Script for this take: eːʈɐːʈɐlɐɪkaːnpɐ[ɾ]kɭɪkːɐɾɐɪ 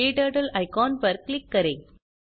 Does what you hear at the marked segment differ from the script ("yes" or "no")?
no